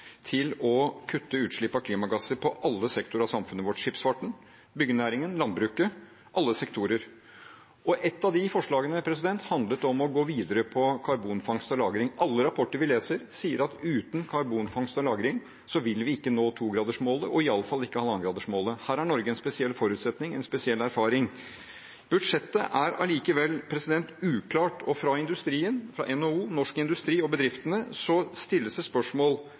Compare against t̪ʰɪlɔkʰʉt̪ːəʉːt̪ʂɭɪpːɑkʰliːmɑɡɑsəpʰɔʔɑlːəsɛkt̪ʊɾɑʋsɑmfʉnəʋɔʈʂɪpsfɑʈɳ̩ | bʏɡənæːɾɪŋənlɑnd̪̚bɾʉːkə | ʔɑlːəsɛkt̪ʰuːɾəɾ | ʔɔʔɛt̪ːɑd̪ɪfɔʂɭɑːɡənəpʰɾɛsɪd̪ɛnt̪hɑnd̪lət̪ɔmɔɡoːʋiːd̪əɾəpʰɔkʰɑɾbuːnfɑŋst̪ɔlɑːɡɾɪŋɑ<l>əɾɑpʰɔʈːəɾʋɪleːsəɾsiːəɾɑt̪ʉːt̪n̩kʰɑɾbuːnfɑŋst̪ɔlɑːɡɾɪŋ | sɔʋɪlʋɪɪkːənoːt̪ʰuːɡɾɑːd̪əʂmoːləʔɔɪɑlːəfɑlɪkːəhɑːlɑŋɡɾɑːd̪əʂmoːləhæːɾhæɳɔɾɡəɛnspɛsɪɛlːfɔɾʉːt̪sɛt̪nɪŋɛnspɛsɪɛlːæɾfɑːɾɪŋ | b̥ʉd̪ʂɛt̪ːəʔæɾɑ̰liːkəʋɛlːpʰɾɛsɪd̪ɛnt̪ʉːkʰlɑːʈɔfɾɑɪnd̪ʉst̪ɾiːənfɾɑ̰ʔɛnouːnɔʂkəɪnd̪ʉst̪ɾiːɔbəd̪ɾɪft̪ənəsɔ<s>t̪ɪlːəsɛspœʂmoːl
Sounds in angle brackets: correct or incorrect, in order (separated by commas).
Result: incorrect, correct